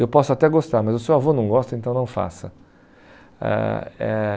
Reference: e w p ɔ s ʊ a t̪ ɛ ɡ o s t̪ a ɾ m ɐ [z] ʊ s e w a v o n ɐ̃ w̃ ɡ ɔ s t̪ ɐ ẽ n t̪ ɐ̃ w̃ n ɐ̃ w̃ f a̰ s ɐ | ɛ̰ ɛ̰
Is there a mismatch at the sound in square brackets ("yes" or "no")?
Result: no